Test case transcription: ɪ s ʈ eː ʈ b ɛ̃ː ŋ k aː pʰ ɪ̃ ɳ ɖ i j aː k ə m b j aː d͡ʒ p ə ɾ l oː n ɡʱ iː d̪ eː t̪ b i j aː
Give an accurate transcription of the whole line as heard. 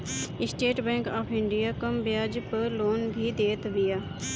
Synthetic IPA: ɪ s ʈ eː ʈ b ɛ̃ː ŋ k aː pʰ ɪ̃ ɳ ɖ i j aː k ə m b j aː d͡ʒ p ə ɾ l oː n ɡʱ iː d̪ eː t̪ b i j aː